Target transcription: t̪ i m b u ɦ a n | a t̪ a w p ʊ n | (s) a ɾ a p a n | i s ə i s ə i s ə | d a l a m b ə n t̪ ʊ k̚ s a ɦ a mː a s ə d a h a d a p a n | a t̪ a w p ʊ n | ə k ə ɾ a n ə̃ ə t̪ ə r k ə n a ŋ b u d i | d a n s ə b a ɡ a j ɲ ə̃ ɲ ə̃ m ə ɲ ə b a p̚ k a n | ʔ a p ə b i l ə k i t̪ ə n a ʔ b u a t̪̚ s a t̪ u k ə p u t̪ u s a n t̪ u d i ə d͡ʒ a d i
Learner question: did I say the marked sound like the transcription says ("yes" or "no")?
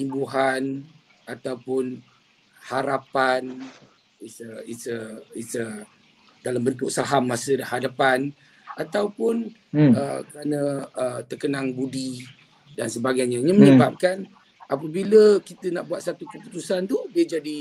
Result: no